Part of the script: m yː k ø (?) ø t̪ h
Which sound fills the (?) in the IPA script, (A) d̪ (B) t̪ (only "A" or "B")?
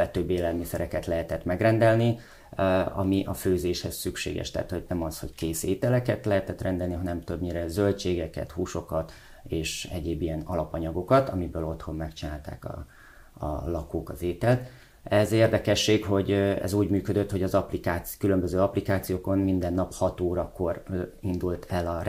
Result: A